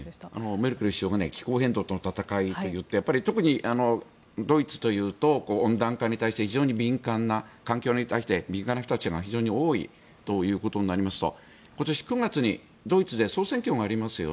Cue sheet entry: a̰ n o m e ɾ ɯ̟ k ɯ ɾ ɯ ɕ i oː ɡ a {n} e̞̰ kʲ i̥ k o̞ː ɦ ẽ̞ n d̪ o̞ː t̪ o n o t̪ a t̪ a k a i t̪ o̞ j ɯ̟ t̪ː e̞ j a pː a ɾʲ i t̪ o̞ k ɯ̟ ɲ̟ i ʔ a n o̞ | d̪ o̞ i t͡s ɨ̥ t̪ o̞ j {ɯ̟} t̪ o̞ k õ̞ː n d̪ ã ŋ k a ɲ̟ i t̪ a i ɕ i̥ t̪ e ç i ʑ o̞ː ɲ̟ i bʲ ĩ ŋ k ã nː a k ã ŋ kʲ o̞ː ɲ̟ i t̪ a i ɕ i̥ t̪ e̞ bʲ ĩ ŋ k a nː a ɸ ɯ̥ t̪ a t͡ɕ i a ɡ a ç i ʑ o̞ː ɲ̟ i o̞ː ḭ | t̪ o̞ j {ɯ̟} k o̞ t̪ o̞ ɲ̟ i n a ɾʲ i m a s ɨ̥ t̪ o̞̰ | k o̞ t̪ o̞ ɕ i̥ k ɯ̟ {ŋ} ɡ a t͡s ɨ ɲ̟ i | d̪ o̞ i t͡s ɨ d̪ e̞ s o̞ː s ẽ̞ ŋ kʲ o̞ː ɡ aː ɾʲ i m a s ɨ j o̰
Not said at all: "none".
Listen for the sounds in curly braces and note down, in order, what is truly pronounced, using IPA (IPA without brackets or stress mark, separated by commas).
n, ɯ̟ː, ɯ̟ː, ŋ